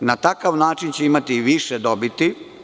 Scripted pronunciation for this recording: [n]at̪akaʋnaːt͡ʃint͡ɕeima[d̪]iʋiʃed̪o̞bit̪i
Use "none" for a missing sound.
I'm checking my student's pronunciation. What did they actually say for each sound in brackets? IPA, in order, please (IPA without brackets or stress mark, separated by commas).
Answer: n, t̪